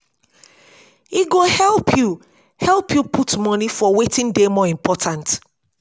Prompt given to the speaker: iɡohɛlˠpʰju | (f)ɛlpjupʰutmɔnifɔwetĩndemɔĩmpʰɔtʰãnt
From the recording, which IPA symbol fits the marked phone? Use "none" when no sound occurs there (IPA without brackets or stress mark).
h